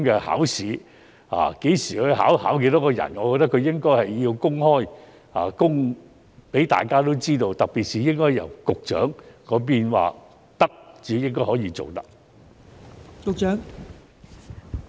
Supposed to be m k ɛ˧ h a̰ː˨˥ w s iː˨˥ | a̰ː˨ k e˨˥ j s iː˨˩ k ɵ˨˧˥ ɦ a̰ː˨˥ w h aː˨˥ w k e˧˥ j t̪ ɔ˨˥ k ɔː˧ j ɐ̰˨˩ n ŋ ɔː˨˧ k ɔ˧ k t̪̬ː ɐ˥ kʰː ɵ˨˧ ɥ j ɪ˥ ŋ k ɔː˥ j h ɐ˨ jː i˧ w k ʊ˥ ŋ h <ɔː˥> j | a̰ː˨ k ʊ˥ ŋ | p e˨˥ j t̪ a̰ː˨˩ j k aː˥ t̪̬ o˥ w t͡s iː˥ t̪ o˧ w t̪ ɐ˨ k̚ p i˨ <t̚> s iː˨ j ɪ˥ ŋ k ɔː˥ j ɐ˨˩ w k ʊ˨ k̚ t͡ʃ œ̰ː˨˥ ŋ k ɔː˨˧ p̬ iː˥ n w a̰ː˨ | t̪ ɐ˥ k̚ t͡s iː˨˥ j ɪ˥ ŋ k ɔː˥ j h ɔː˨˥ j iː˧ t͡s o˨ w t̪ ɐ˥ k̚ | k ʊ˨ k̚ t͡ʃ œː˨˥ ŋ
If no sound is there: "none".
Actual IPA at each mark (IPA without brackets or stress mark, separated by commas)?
ɔː˥, t̚